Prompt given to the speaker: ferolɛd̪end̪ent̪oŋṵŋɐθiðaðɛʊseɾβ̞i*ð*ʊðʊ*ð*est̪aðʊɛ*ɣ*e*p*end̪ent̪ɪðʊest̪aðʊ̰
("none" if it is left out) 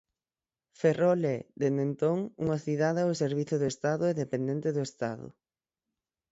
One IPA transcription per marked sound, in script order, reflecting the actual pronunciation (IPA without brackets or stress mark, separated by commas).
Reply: θ, none, ð, p